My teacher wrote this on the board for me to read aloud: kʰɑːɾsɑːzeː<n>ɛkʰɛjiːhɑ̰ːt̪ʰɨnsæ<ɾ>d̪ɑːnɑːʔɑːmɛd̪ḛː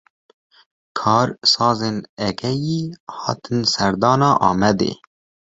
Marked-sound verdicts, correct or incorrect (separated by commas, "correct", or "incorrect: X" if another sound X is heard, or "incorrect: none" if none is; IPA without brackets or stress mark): correct, correct